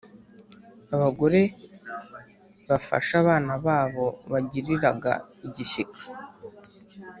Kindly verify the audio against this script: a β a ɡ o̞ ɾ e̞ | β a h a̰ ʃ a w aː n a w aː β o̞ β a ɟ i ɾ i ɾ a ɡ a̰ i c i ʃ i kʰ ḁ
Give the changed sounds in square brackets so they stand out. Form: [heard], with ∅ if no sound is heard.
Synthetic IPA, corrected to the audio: a β a ɡ o̞ ɾ e̞ | β a [f] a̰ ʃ a [β] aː n a [β] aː β o̞ β a ɟ i ɾ i ɾ a ɡ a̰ i [ɟ] i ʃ i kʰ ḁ